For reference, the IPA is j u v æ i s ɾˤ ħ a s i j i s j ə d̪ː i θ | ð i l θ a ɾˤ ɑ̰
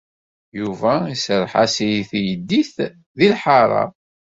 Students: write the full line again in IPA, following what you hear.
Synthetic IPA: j u v æ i s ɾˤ ħ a s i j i θ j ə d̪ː i θ | ð i l ħ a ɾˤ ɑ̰